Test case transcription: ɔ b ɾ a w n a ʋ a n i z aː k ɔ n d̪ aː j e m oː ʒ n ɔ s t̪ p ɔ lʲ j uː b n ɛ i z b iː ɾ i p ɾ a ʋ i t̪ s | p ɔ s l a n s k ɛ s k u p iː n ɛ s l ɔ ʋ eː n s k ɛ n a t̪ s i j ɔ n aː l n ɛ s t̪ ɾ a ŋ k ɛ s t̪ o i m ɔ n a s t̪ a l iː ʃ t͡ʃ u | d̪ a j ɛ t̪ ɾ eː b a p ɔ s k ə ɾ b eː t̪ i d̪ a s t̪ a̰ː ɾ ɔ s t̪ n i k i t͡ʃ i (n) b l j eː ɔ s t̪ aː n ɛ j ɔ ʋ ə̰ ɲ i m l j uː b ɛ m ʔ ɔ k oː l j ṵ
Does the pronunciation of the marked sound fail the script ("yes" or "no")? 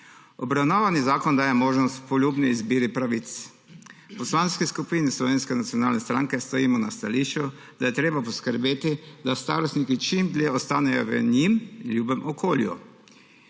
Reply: yes